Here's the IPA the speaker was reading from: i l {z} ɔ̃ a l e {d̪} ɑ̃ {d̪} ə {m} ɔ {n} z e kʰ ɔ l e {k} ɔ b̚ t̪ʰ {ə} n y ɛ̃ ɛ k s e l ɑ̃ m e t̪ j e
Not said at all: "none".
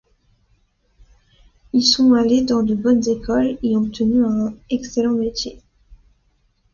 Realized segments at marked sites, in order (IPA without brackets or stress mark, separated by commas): s, d̪, d̪, b, n, none, ə